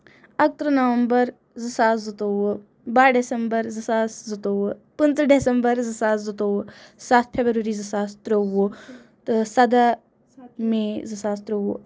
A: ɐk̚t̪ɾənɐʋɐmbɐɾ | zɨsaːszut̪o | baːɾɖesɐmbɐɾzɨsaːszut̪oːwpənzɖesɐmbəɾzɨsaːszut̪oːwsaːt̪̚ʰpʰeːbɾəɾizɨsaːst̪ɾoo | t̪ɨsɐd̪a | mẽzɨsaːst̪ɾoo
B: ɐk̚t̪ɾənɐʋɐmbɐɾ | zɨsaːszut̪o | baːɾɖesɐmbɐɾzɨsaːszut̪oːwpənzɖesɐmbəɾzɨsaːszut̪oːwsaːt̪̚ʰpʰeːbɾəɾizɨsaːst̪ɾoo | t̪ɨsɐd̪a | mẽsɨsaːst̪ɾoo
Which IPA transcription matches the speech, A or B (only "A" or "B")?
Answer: A